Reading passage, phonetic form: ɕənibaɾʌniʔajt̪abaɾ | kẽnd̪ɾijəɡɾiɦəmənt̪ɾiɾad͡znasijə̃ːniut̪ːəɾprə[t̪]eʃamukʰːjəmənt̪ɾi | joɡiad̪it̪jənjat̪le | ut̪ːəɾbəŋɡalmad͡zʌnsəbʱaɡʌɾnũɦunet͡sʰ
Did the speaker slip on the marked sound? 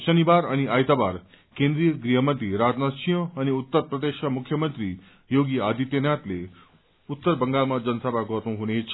yes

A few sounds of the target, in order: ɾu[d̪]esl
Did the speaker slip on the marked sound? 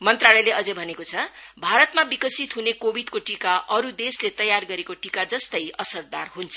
no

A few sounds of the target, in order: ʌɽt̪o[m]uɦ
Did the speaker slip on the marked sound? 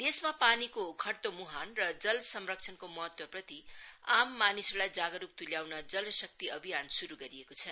no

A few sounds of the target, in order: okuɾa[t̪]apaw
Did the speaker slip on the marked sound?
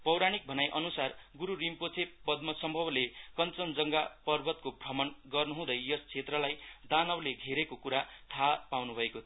yes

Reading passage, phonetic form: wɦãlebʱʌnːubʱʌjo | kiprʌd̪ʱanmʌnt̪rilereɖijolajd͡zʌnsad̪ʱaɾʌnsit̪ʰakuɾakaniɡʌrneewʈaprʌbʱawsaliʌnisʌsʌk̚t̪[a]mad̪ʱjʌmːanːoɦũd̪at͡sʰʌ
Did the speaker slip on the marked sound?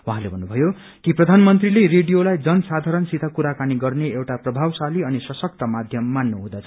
yes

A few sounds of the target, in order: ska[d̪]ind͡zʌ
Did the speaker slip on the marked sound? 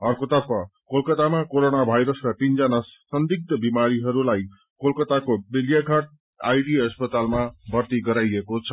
yes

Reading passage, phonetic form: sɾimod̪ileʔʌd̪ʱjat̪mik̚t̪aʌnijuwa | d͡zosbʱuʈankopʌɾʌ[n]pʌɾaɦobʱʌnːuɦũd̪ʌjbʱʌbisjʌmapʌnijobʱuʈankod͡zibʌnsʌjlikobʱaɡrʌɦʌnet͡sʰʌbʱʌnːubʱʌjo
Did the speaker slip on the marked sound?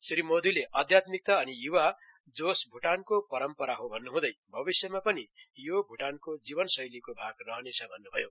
yes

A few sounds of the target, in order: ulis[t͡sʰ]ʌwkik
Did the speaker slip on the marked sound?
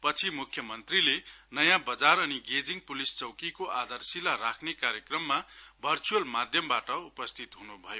yes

